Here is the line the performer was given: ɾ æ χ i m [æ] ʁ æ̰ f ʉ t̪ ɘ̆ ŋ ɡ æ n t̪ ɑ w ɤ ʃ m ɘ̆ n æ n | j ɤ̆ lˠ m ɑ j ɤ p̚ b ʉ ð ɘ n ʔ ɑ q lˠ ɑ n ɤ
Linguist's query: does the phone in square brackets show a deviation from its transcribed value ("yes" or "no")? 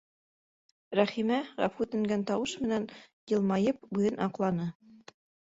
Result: no